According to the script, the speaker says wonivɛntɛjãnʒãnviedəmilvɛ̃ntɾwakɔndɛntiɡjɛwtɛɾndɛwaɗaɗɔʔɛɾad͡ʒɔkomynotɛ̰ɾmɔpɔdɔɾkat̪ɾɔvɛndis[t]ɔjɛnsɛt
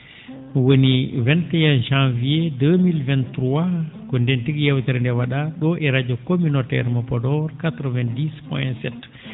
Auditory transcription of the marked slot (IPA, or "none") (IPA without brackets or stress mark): p